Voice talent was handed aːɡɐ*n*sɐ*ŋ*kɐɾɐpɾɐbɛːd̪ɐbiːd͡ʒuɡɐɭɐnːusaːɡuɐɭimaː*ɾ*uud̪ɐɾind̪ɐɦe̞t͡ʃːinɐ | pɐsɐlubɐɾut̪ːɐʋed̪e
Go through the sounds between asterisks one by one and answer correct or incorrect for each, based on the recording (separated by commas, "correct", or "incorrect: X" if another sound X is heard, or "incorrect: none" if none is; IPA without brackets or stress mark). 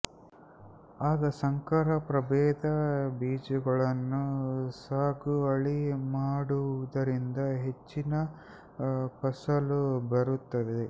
incorrect: none, correct, incorrect: ɽ